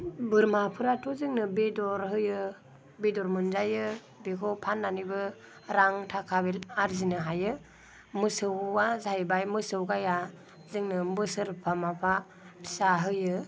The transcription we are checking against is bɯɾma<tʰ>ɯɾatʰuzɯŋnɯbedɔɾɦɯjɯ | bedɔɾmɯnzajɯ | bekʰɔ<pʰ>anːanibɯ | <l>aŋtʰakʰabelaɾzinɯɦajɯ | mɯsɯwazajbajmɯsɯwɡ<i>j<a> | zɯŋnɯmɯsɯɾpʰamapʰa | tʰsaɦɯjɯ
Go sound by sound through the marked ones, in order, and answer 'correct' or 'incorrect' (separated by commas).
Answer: incorrect, correct, incorrect, incorrect, correct